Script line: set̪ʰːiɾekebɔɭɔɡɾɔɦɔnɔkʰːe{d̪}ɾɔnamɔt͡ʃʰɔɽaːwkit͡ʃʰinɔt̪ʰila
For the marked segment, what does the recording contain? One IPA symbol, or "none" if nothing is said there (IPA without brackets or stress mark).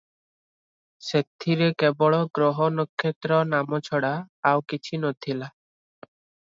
t̪